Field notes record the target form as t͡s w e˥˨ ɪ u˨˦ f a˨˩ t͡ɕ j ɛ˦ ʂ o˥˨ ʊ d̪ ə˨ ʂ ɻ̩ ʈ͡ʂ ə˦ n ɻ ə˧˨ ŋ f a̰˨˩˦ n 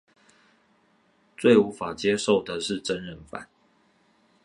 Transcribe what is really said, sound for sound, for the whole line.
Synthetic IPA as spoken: t͡s w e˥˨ ɪ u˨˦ f a˨˩ t͡ɕ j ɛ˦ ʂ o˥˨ ʊ d̪ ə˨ ʂ ɻ̩ ʈ͡ʂ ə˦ n ɻ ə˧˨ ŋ f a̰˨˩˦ n